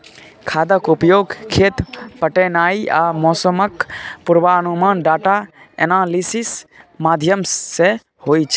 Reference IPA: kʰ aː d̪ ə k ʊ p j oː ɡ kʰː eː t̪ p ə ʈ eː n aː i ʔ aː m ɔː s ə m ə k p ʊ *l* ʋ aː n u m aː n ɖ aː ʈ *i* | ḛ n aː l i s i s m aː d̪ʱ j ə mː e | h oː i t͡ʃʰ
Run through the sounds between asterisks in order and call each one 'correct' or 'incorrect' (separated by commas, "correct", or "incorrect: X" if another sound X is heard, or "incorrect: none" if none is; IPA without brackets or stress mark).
incorrect: ɾ, incorrect: a